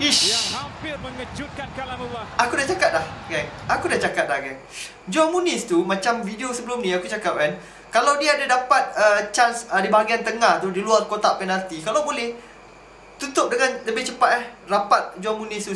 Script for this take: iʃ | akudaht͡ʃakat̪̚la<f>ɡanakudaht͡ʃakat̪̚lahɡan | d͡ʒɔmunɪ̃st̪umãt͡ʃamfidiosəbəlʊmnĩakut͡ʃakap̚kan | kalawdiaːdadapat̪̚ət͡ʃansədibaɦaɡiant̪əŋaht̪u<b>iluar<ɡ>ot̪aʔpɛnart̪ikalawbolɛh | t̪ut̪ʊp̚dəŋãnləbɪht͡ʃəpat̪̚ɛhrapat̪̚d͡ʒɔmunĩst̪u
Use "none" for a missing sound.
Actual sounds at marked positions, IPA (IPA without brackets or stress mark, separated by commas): h, d, k